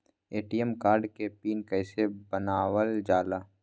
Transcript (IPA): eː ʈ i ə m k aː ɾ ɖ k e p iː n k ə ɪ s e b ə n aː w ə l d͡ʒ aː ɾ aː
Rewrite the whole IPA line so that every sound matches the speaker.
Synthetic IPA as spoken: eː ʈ i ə m k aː ɾ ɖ k e p iː n k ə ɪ s e b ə n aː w ə l d͡ʒ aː l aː